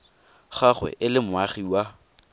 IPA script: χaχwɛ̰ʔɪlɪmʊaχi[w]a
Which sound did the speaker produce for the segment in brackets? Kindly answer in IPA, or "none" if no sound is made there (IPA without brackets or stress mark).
w